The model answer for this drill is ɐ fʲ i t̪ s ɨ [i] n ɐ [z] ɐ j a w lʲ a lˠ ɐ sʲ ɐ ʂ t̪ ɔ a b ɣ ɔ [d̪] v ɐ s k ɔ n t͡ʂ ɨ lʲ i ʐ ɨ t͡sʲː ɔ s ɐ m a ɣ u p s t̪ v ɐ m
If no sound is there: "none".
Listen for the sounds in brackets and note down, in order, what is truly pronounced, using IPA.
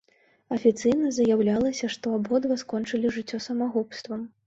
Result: j, z, d̪

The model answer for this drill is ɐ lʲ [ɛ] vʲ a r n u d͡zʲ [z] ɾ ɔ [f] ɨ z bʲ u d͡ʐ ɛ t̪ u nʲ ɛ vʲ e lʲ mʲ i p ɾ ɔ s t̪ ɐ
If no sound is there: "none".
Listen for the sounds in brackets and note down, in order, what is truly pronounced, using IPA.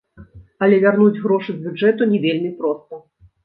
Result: ɛ, ɣ, ʂ

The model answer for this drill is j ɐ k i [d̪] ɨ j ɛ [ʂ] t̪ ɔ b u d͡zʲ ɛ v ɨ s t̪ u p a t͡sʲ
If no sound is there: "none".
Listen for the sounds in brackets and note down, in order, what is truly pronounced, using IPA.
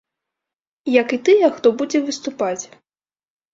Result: t̪, x

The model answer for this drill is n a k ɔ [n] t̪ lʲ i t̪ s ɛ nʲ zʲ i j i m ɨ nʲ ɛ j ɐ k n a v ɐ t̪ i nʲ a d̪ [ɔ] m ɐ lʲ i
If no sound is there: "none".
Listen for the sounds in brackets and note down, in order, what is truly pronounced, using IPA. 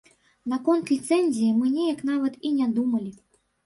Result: n, u

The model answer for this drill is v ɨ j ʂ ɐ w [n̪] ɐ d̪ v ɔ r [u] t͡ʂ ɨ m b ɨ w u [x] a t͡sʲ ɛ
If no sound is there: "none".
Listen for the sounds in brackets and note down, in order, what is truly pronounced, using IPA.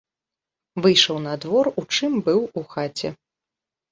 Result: n̪, u, x

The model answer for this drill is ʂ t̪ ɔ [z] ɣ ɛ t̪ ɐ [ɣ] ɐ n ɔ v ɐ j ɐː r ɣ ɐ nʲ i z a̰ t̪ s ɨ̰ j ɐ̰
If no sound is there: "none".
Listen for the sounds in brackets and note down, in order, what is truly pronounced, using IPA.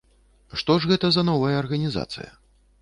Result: ʐ, z

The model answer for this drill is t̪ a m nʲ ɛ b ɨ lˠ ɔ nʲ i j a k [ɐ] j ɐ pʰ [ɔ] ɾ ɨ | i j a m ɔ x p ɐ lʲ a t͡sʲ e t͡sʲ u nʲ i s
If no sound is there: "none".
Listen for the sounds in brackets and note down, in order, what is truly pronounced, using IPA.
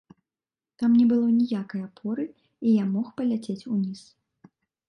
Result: ɐ, ɔ

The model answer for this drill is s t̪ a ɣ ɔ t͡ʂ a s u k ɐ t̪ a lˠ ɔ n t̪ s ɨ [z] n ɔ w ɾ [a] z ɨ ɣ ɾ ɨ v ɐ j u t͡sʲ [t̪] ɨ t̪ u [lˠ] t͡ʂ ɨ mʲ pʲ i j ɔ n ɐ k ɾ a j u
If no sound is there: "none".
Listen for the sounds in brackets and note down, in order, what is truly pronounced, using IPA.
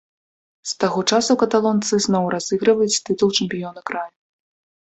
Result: z, a, t̪, lˠ

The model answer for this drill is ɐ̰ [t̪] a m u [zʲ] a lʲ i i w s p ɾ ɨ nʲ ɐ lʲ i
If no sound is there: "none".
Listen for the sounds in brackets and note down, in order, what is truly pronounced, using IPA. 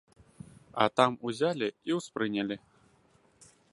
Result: t̪, zʲ

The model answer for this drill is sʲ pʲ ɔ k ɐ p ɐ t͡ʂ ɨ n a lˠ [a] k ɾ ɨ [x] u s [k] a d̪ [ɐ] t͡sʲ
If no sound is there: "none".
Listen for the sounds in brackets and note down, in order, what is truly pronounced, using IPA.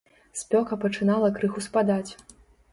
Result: ɐ, x, p, a

